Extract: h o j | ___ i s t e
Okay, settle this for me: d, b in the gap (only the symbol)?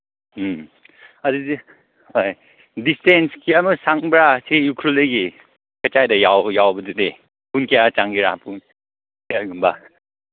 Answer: d